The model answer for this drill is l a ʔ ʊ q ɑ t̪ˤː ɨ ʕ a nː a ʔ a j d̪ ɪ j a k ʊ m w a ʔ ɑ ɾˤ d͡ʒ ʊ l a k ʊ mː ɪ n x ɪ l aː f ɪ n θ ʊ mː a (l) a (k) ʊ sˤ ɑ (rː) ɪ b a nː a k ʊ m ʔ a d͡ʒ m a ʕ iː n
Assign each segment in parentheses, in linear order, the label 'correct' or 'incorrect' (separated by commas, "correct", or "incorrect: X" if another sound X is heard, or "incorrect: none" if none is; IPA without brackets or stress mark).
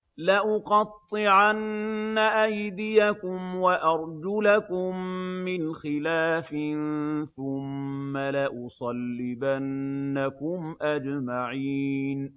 correct, incorrect: ʔ, incorrect: lː